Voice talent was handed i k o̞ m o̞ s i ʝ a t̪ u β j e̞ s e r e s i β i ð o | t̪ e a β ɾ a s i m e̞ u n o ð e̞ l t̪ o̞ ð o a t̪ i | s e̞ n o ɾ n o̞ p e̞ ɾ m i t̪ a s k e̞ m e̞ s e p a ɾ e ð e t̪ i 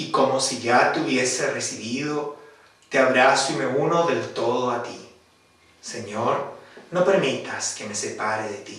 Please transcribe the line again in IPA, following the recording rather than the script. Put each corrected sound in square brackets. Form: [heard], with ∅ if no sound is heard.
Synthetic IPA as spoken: i k o̞ m o̞ s i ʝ a t̪ u β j e̞ s e r e s i β i ð o | t̪ e a β ɾ a s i m e̞ u n o ð e̞ l t̪ o̞ ð o a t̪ i | s e̞ [ɲ] o ɾ n o̞ p e̞ ɾ m i t̪ a s k e̞ m e̞ s e p a ɾ e ð e t̪ i

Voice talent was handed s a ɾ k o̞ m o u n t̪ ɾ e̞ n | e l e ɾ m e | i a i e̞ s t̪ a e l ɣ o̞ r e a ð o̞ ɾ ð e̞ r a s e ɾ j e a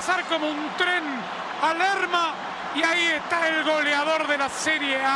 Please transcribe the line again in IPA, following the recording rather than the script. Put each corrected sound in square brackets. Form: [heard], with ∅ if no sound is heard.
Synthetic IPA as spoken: s a ɾ k o̞ m o u n t̪ ɾ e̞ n | [a] l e ɾ m [a] | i a i e̞ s t̪ a e l ɣ o̞ [l] e a ð o̞ ɾ ð e̞ [l] a s e ɾ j e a

